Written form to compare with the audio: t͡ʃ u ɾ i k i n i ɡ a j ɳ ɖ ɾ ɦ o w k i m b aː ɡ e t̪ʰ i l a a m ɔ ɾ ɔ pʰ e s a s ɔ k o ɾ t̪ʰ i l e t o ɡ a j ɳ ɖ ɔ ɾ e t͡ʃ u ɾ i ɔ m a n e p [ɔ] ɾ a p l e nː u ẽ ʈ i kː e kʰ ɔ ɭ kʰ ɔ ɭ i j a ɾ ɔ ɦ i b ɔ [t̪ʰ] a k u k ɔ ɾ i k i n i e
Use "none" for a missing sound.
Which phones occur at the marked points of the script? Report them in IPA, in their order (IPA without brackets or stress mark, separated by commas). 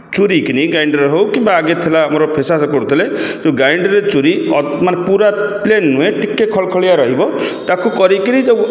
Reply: u, t̪